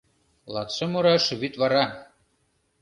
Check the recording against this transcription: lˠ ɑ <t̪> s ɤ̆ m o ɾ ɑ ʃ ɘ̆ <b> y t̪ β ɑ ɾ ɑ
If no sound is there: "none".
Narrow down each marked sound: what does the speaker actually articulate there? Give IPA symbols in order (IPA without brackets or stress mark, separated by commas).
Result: t̪, β